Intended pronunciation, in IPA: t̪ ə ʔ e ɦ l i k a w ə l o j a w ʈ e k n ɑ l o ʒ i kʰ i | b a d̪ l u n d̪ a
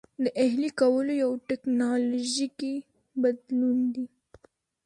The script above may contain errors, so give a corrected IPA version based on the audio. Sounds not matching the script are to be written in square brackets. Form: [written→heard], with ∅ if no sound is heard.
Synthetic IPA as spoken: [t̪→d̪] ə ʔ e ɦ l i k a w ə l o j a w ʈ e k n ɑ l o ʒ i [kʰ→k] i | b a d̪ l u n d̪ [a→i]